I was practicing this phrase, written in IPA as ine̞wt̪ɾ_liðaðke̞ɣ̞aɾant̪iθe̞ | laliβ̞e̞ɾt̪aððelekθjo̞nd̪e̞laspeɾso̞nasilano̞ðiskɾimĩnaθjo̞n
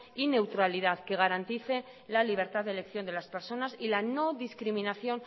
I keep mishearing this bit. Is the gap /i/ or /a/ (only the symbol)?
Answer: a